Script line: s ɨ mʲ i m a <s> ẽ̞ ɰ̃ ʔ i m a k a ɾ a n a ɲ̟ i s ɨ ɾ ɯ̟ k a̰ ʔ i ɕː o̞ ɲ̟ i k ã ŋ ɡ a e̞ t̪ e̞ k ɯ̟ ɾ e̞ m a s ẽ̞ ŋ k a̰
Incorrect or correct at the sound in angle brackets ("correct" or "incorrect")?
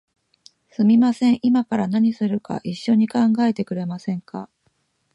correct